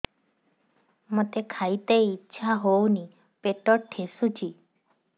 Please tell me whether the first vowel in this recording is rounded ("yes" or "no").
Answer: yes